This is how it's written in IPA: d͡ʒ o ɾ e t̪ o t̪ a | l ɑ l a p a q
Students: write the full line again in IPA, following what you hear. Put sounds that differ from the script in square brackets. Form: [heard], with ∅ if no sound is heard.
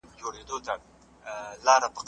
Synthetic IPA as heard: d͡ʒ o [ɽ] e [d̪] o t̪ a | l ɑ [ɾ] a p [ə] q